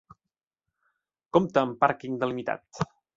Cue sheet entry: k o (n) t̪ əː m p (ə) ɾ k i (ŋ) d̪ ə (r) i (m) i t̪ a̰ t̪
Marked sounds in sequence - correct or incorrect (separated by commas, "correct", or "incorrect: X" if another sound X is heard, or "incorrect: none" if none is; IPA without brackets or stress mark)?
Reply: incorrect: m, incorrect: a, correct, incorrect: l, correct